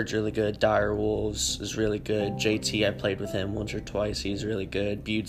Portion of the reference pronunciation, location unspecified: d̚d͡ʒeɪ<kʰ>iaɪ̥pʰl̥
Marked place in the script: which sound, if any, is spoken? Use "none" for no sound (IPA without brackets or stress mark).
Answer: tʰ